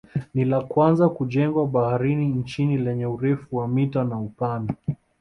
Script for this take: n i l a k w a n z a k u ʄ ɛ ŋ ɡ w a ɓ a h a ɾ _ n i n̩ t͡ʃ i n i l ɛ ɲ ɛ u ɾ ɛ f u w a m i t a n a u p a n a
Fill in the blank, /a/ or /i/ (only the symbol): i